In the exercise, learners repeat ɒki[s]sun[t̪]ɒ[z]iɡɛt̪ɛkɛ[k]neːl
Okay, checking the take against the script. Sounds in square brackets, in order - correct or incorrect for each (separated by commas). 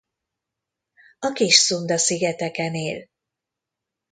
incorrect, incorrect, incorrect, incorrect